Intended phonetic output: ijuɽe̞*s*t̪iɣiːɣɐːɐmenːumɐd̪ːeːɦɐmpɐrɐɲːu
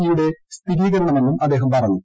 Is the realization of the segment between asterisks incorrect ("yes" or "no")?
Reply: no